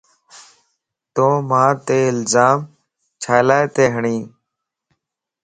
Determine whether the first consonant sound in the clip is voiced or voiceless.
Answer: voiceless